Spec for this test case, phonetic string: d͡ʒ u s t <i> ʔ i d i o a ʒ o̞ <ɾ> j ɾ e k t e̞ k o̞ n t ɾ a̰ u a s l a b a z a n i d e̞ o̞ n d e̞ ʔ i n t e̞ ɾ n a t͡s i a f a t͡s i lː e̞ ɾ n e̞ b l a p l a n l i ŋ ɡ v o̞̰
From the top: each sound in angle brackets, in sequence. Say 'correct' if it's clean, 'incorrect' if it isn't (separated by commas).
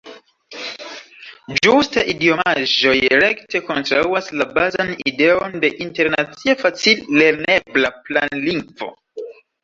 incorrect, incorrect